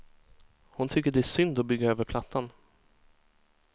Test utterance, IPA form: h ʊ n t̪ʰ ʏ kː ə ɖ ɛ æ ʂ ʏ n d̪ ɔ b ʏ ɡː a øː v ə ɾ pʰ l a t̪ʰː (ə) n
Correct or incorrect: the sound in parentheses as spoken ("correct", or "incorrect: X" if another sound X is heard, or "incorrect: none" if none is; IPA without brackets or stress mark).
incorrect: a